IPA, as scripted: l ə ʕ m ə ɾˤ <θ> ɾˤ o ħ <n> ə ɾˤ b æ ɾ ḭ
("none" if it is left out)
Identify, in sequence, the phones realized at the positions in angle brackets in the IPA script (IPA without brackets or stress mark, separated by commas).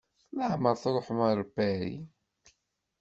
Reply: θ, m